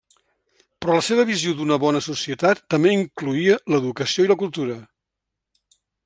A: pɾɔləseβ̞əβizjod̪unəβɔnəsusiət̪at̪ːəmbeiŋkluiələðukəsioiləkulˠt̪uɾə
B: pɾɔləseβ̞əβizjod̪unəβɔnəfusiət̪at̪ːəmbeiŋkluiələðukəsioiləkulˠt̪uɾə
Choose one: A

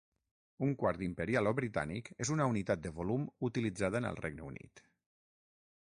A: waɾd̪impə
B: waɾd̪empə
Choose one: A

